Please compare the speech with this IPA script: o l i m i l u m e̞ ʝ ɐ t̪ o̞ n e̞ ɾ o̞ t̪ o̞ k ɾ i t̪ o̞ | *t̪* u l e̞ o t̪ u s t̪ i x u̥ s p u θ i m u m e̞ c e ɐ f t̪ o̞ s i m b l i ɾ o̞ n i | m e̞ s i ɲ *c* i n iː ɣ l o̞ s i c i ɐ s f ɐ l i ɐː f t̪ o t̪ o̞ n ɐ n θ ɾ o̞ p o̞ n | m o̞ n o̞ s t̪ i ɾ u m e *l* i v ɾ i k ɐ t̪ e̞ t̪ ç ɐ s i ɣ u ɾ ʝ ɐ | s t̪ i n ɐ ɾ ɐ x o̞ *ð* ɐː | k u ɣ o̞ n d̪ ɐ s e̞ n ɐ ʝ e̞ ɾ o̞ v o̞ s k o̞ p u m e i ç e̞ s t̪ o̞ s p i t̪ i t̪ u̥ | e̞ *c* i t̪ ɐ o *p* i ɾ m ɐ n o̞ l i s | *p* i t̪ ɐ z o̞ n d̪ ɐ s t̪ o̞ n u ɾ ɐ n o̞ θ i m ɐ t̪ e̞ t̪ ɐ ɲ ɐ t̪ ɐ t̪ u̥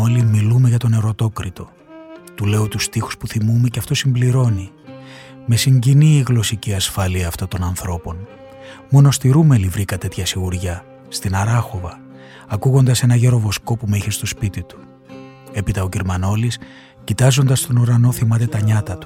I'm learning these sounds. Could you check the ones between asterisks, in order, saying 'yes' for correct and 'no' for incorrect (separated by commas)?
yes, no, yes, no, no, no, no